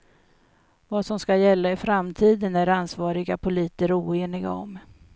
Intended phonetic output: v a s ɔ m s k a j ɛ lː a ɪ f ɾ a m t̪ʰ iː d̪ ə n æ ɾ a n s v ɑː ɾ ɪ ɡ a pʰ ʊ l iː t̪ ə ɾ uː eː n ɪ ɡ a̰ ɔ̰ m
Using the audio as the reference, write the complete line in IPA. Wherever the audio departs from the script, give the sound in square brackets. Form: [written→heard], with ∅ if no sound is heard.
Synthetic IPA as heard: v a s ɔ m s k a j ɛ lː a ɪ f ɾ a m t̪ʰ iː d̪ ə n æ ɾ a n s v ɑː ɾ ɪ ɡ a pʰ ʊ l iː t̪ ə ɾ uː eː n ɪ ɡ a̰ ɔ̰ m